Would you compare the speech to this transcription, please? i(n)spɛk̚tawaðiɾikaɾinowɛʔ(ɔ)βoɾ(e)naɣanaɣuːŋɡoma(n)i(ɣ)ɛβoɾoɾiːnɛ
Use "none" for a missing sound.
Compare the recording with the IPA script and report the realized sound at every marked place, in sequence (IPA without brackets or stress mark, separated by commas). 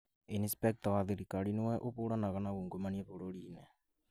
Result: n, o, a, n, none